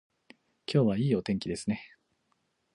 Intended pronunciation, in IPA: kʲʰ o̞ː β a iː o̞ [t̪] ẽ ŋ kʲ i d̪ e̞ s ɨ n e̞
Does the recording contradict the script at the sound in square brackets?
no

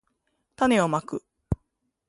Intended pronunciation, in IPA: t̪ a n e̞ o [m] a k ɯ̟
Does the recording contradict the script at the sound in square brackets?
no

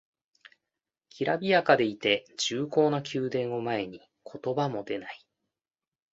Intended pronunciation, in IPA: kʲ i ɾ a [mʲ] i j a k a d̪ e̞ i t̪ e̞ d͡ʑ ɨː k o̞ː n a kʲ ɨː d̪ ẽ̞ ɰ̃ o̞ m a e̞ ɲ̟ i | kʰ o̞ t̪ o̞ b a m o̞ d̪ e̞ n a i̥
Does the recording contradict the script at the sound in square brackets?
yes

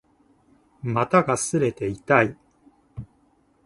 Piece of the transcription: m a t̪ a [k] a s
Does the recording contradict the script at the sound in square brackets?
yes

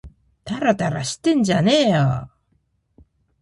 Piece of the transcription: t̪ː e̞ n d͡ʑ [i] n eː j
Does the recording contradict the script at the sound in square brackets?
yes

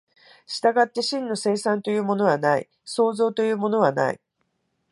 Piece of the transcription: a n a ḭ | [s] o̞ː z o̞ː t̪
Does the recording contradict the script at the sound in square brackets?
no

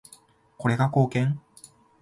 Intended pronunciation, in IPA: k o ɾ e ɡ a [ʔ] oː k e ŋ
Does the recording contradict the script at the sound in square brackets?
yes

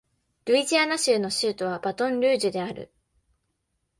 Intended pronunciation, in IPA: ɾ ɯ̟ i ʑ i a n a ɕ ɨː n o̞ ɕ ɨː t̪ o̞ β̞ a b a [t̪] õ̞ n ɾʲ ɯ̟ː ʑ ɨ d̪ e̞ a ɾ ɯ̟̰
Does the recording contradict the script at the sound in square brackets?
no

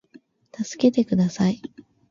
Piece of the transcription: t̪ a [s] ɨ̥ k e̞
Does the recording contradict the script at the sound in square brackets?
no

